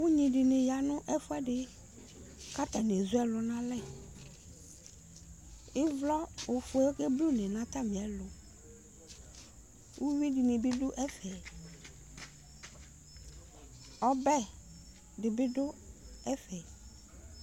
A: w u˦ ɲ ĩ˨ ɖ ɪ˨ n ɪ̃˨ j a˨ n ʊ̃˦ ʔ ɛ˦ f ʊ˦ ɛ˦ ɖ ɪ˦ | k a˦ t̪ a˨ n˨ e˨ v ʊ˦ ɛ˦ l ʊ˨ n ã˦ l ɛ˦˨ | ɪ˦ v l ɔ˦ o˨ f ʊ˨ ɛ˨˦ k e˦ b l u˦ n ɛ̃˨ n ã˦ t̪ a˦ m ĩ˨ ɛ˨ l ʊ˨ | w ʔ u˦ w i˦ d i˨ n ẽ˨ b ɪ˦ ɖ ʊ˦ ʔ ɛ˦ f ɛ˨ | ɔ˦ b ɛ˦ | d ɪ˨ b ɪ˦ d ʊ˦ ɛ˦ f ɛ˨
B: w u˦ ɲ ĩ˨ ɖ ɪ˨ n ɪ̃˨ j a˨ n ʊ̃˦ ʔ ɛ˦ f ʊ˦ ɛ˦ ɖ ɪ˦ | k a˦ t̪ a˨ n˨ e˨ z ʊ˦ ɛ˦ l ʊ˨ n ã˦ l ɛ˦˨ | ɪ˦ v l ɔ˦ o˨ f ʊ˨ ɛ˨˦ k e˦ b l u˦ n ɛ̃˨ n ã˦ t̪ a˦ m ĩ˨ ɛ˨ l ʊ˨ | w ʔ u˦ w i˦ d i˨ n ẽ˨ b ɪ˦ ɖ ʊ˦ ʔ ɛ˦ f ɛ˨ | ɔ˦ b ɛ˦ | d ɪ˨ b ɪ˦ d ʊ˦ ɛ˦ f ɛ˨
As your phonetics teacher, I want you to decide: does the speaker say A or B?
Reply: B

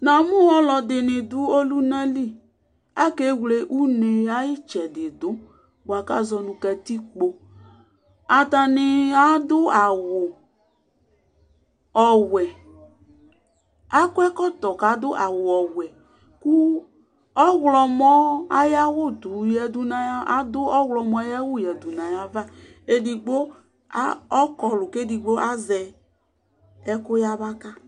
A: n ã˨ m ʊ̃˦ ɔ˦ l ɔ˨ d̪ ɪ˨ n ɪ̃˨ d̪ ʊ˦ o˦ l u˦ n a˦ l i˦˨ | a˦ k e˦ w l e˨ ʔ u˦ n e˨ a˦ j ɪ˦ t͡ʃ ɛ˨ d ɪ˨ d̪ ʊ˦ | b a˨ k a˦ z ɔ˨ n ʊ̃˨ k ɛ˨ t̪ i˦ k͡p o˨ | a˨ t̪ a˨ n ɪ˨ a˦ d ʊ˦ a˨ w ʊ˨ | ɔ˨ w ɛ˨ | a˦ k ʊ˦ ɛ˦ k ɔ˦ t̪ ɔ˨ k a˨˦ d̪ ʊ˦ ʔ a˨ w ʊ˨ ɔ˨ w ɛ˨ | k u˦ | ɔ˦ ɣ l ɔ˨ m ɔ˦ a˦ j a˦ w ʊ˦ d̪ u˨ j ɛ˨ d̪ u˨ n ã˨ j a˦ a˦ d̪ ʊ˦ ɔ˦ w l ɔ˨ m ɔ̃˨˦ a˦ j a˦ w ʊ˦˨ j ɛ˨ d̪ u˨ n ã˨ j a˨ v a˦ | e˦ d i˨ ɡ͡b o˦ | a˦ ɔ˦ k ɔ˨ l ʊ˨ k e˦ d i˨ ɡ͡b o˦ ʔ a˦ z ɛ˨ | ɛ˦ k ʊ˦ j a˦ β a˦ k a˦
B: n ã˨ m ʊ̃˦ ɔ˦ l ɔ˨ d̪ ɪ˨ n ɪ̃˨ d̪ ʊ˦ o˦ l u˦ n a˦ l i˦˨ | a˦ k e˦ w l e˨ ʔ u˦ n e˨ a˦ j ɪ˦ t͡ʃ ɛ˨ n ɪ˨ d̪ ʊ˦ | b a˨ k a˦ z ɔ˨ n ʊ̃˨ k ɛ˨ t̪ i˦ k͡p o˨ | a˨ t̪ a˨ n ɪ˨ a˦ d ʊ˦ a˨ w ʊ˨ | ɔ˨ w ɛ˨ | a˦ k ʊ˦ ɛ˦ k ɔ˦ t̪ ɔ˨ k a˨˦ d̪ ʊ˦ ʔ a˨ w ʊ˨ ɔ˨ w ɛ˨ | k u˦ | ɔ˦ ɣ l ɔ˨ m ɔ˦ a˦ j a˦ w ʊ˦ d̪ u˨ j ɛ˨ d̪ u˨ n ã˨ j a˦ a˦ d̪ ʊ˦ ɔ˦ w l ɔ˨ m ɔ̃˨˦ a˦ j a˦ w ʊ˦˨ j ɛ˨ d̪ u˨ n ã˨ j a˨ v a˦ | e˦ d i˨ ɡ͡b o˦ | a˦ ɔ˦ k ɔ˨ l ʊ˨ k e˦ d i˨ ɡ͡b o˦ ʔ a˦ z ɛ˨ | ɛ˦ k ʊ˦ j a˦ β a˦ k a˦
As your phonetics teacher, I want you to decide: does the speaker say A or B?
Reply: A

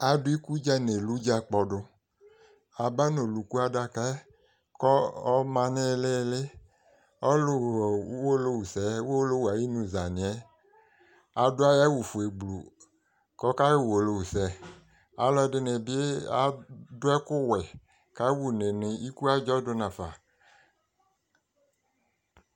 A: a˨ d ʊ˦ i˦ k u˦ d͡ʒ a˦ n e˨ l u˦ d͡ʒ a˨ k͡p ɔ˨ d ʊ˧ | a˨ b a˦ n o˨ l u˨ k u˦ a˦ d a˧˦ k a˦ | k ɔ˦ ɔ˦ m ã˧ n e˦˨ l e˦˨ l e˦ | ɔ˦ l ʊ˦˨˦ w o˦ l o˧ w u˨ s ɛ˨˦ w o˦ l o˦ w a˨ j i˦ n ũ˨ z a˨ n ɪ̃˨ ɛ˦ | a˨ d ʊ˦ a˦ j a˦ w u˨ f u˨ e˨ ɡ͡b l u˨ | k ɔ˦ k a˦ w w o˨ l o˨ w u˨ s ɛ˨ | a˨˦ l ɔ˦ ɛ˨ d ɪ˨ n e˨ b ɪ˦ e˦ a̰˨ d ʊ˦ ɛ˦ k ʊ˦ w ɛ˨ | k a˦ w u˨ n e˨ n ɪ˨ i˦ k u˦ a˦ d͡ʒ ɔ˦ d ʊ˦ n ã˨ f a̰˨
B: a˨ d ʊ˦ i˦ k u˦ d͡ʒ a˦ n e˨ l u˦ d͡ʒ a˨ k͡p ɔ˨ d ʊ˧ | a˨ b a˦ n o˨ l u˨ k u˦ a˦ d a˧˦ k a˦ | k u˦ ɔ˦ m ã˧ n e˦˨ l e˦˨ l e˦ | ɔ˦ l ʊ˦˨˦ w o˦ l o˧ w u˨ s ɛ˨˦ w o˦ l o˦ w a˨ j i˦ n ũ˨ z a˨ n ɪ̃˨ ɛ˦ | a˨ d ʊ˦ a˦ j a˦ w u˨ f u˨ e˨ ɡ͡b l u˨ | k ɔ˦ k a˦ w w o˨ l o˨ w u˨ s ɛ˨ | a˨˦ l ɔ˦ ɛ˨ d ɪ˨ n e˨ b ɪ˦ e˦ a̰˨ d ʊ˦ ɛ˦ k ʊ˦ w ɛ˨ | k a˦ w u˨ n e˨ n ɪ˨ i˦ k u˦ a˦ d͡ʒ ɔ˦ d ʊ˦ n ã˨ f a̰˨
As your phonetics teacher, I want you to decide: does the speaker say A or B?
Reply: A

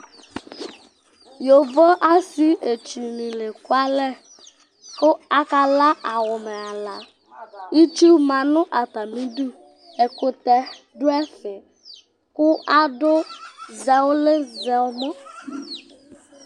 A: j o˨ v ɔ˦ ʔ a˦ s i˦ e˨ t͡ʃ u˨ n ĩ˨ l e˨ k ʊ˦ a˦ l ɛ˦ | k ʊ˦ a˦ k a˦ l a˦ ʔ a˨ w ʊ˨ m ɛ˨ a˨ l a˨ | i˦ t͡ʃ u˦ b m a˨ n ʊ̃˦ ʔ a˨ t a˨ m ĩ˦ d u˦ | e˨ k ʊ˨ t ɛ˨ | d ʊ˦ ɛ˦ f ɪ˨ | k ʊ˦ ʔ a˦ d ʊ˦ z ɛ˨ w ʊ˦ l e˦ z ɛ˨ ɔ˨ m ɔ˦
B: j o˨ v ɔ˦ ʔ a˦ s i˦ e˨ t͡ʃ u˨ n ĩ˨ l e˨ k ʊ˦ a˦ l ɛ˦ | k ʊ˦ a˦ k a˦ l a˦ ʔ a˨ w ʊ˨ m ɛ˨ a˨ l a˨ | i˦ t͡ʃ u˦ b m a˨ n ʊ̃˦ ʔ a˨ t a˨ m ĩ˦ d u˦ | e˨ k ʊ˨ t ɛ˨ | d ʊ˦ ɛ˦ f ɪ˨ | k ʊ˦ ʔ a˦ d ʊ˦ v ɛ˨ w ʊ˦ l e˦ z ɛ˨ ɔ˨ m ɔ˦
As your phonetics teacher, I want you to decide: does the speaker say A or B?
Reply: A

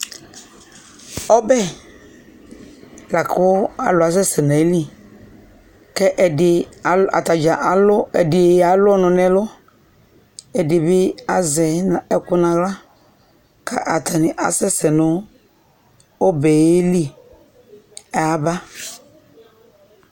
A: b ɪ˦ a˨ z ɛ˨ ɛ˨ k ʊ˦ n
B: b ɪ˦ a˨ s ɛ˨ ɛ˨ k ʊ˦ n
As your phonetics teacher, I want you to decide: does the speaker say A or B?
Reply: A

